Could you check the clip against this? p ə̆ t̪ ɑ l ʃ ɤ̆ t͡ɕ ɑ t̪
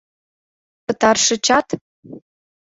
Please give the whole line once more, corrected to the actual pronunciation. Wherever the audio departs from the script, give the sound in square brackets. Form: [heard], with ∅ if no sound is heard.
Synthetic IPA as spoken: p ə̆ t̪ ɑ [r] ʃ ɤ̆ t͡ɕ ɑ t̪